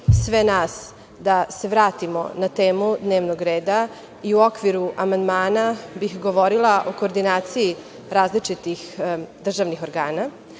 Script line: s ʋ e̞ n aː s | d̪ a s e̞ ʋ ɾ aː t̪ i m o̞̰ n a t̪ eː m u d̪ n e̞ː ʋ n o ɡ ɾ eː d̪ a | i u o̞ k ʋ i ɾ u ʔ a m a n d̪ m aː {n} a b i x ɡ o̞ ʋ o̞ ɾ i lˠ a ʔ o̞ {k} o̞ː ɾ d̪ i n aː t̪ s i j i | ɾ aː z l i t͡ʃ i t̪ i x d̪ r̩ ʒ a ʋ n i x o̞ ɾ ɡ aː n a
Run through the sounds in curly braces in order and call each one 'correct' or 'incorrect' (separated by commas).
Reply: correct, correct